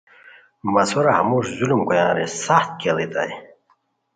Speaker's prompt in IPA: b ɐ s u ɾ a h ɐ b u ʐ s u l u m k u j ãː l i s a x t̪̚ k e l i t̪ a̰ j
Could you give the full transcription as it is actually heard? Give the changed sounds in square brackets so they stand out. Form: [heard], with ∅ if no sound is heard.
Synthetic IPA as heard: [m] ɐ s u ɾ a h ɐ [m] u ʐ [z] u l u m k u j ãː [ɾ] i s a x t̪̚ k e l i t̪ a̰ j